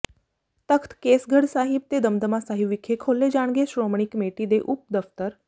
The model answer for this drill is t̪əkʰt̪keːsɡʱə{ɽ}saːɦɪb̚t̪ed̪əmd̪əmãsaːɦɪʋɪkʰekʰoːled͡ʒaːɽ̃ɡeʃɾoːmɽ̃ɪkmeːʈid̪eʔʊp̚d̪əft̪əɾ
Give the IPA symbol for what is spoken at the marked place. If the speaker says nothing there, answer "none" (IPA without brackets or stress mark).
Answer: ɽ